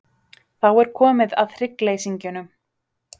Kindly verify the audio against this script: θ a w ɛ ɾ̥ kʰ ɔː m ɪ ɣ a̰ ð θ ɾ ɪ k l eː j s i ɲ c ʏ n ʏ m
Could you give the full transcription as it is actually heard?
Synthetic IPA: θ a w ɛ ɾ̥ kʰ ɔː m ɪ ð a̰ ð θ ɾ ɪ k l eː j s i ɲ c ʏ n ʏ m